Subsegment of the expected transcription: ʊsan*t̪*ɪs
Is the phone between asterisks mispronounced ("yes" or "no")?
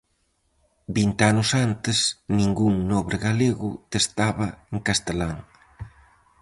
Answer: no